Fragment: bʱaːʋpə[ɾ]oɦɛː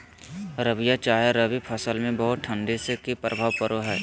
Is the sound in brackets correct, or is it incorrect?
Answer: correct